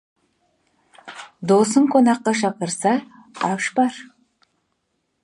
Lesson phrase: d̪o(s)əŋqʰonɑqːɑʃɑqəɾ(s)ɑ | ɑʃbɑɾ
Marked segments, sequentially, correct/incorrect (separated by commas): correct, correct